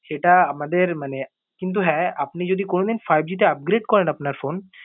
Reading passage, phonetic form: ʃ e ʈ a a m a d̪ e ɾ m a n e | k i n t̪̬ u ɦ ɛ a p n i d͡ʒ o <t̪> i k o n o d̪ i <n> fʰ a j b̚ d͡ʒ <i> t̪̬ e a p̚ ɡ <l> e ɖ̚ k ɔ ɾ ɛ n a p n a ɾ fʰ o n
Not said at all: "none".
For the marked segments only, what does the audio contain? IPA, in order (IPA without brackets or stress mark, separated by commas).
d̪, n, i, ɾ